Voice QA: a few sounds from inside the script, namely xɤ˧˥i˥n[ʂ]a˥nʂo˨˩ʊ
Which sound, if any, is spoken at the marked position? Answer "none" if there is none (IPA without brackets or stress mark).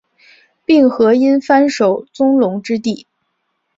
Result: f